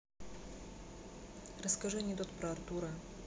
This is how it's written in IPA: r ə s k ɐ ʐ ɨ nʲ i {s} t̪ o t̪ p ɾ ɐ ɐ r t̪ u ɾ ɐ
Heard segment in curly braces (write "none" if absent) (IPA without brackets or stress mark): none